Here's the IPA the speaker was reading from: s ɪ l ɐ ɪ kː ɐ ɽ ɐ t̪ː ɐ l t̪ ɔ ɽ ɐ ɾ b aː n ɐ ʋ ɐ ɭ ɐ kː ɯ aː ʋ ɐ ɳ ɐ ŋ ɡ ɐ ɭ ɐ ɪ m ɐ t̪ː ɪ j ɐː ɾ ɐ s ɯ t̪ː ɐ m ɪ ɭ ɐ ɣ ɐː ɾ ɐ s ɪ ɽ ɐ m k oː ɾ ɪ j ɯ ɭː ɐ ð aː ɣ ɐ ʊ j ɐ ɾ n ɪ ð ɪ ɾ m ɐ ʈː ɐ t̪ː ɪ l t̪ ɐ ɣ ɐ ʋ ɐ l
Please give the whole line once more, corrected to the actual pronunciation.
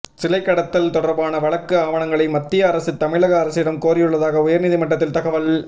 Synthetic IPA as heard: s ɪ l ɐ ɪ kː ɐ ɽ ɐ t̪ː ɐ l t̪ ɔ ɽ ɐ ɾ b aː n ɐ ʋ ɐ ɭ ɐ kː ɯ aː ʋ ɐ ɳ ɐ ŋ ɡ ɐ ɭ ɐ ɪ m ɐ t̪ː ɪ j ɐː ɾ ɐ s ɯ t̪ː ɐ m ɪ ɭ ɐ ɣ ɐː ɾ ɐ s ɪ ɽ ɐ m k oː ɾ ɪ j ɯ ɭː ɐ ð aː ɣ ɐ ʊ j ɐ ɾ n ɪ ð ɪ m ɐ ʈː ɐ t̪ː ɪ l t̪ ɐ ɣ ɐ ʋ ɐ l